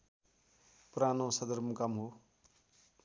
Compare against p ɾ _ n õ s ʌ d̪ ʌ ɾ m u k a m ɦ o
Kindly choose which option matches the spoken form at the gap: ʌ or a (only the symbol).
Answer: a